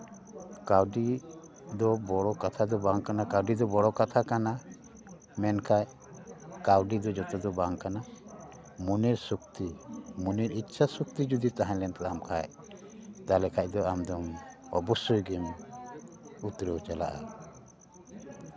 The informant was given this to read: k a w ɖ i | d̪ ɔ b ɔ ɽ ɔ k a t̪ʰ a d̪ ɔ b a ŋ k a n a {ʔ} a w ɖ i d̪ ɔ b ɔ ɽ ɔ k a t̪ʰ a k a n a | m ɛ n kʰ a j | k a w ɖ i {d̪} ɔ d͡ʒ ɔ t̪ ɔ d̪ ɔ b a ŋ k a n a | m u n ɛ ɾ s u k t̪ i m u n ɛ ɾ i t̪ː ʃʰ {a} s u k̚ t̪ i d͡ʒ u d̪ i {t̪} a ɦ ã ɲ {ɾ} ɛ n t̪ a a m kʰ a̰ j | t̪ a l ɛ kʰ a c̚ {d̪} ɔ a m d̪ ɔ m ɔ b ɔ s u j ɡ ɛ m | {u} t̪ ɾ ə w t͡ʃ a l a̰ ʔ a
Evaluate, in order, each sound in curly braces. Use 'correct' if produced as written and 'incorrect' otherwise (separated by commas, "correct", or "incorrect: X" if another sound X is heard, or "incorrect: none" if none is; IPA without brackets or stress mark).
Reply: incorrect: k, correct, correct, correct, incorrect: l, correct, correct